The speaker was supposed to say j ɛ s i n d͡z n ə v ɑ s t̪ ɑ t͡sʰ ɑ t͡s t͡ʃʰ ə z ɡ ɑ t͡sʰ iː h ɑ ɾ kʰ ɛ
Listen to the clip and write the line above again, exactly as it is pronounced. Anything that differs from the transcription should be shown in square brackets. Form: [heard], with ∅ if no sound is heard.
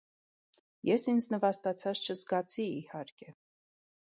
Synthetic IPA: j ɛ s i n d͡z n ə v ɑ s t̪ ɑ t͡sʰ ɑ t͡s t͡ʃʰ ə z ɡ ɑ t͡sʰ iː h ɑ ɾ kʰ ɛ